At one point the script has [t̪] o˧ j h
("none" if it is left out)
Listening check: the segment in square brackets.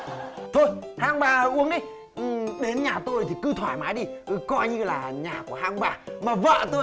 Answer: t̪ʰ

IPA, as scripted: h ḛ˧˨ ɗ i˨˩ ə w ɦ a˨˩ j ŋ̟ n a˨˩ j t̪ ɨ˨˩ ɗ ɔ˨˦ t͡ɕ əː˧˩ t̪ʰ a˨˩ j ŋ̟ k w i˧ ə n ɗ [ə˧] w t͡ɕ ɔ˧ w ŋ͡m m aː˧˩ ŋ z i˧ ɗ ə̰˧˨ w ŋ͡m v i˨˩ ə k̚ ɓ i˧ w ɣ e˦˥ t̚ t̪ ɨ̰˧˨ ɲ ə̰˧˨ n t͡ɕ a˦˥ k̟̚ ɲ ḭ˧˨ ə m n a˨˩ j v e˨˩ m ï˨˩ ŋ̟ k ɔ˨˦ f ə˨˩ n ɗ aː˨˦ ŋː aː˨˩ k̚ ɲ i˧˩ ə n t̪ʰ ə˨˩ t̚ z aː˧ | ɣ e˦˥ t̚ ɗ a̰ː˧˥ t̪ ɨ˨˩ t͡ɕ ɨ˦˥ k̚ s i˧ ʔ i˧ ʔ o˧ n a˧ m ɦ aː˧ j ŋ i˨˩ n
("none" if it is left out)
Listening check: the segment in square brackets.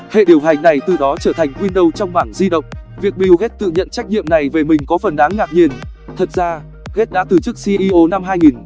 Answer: ə˧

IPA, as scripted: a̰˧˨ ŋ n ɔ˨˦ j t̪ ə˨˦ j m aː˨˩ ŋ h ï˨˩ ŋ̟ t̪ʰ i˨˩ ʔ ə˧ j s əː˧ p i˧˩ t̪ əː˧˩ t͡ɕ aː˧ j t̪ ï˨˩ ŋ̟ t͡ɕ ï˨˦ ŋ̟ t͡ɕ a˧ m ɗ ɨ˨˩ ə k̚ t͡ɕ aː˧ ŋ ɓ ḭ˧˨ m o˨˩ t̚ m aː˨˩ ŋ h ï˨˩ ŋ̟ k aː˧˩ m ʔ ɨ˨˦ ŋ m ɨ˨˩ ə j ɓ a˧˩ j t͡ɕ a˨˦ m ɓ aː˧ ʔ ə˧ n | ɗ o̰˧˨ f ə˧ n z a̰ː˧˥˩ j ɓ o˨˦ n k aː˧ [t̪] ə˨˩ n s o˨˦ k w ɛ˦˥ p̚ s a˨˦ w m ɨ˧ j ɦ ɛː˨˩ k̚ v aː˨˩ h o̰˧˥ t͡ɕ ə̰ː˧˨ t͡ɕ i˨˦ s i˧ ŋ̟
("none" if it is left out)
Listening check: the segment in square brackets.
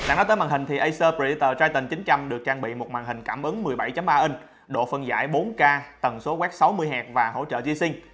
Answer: t̪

